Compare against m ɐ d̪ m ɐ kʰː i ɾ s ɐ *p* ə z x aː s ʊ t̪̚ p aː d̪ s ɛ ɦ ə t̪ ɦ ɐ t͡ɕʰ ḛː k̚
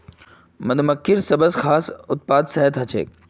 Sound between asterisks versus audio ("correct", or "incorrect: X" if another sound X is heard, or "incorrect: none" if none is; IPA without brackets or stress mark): incorrect: b